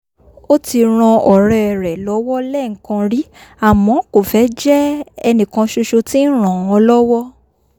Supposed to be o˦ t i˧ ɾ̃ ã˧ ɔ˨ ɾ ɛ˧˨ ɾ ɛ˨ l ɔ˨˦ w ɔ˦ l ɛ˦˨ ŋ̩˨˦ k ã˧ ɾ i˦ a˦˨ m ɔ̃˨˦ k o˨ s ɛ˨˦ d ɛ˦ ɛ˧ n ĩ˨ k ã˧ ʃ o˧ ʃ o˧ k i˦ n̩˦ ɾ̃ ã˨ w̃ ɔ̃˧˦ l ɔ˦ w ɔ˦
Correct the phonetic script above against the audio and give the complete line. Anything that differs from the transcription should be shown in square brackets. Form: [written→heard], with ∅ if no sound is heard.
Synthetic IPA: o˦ t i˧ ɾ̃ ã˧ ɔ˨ ɾ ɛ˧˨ ɾ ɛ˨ l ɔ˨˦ w ɔ˦ l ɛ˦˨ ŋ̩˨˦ k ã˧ ɾ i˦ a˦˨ m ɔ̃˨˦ k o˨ [s→f] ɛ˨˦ [d→d͡ʒ] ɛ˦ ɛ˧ n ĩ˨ k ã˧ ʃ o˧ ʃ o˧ [k→t] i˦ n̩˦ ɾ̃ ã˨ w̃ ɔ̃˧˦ l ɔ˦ w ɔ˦